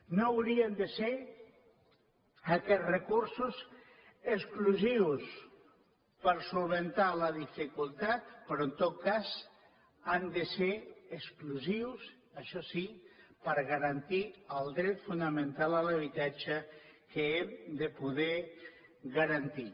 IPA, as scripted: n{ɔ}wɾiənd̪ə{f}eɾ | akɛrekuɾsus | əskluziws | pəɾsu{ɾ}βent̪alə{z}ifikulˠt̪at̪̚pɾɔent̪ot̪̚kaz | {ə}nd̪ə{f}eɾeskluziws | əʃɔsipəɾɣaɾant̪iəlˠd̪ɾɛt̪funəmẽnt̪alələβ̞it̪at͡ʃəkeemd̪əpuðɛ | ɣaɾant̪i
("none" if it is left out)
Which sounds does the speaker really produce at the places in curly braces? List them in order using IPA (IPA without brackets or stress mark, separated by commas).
o, s, l, ð, a, s